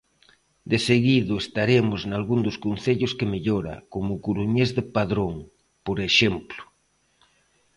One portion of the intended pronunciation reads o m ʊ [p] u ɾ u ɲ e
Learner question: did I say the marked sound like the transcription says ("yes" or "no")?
no